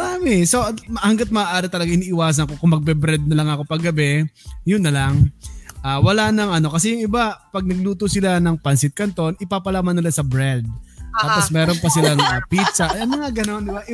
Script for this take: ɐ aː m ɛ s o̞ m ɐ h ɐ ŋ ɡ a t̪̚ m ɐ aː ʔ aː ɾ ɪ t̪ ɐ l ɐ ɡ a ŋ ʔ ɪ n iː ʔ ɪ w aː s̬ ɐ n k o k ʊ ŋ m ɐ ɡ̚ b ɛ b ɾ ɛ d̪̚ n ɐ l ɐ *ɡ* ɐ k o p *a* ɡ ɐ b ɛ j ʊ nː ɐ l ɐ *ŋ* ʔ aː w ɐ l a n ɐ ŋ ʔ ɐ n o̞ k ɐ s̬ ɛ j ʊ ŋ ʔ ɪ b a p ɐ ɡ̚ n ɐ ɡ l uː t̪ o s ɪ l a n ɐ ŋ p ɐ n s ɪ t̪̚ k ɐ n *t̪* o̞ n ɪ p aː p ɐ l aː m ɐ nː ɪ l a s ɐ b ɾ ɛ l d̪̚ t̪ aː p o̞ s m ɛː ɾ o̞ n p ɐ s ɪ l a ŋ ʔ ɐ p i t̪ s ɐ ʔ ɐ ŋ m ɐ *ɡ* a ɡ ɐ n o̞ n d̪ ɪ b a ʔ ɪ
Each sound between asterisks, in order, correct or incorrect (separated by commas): incorrect, incorrect, correct, correct, incorrect